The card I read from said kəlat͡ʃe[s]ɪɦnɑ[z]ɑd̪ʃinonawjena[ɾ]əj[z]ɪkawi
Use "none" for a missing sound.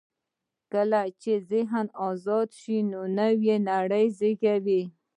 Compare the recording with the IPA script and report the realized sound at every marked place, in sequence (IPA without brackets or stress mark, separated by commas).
z, z, ɽ, z